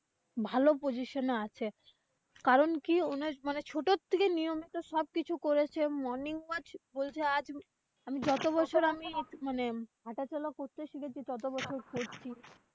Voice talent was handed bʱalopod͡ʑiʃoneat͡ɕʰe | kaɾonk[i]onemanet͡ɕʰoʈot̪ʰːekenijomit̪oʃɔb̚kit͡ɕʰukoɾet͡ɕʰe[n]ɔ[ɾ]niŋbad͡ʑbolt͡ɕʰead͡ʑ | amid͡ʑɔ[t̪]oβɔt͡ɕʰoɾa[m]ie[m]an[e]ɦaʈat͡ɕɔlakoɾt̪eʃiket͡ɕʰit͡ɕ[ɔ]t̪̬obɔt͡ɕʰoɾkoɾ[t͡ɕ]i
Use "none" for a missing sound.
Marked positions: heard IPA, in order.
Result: i, m, ɾ, t̪, m, m, e, ɔ, t͡ɕʰ

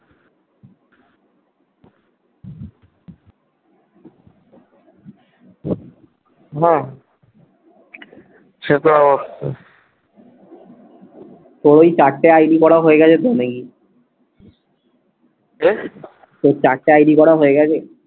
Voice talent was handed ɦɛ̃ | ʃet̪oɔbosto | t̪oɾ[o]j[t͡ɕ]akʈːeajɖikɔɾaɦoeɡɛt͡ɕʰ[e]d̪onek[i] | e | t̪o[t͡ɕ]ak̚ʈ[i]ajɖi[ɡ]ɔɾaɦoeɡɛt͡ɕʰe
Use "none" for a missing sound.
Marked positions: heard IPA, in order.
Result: o, t͡ɕ, e, i, t͡ɕ, e, k

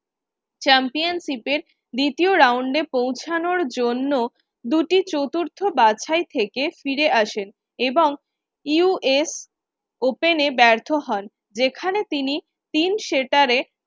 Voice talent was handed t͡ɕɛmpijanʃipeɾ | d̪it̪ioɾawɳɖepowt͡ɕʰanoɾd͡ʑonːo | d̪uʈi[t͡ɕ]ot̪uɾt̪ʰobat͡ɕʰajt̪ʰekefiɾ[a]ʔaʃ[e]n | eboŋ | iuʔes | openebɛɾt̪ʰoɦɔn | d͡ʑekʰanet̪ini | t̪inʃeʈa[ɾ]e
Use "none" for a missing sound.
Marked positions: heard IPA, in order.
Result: t͡ɕ, e, e, ɾ

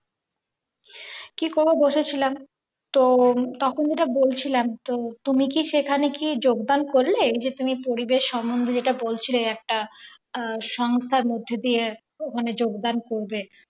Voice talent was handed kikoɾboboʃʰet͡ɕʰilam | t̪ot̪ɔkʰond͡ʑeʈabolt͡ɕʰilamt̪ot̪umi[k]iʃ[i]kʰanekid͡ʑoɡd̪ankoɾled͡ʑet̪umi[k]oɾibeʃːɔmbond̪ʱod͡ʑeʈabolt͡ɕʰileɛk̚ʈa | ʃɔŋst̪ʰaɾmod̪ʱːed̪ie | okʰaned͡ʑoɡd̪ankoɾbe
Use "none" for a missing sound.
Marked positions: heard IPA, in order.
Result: k, e, p

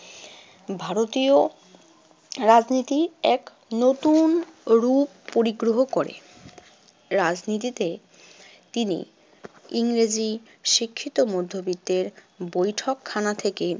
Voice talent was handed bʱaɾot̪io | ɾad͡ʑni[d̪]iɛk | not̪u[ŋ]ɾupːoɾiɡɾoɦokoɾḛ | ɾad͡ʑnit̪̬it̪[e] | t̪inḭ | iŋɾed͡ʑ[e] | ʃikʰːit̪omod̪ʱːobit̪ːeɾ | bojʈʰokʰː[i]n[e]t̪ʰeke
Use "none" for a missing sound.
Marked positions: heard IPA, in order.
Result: t̪, n, e, i, a, a

